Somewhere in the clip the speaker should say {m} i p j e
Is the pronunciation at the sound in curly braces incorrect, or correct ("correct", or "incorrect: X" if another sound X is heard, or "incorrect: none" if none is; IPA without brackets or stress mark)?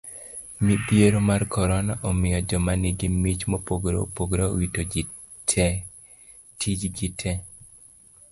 correct